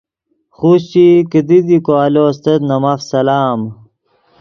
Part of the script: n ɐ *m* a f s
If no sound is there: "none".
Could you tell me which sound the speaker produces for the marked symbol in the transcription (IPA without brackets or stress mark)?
m